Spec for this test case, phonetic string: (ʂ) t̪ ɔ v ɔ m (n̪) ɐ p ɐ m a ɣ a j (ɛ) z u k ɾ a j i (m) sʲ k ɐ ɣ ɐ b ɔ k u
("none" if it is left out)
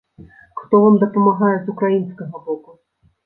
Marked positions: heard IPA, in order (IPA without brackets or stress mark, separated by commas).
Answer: x, d̪, ɛ, n